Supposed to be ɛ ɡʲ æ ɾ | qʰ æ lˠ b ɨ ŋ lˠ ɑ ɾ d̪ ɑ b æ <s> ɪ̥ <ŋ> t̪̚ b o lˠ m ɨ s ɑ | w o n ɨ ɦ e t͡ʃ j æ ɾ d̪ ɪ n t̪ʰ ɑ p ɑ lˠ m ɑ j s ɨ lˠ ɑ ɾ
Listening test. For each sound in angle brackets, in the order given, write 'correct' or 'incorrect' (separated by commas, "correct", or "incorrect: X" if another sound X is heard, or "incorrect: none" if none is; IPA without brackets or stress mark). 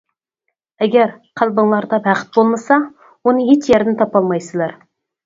incorrect: χ, incorrect: none